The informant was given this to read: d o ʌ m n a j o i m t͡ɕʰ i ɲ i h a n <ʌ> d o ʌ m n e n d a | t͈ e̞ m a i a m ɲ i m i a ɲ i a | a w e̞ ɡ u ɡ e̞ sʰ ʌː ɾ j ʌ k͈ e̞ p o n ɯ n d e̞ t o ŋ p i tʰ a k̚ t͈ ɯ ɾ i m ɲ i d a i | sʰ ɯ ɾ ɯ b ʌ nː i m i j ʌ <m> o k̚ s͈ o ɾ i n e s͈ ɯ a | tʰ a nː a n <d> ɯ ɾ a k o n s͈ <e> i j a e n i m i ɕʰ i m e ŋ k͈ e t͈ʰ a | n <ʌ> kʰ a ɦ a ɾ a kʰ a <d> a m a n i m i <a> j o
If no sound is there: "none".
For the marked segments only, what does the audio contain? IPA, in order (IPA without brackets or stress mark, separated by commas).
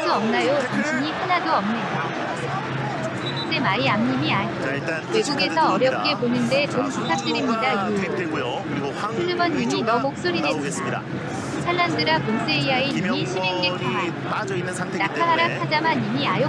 a, m, d, e, a, d͡ʑ, a